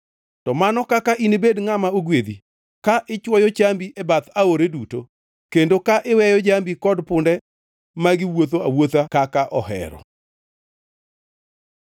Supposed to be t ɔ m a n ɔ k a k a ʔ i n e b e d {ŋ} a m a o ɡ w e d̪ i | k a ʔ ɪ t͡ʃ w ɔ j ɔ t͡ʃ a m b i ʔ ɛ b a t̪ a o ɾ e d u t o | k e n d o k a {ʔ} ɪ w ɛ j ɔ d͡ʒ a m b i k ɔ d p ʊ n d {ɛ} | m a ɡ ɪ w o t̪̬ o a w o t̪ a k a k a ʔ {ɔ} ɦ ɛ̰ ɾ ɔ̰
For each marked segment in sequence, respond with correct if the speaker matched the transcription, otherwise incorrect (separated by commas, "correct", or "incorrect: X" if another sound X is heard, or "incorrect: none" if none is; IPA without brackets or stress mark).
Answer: correct, correct, correct, correct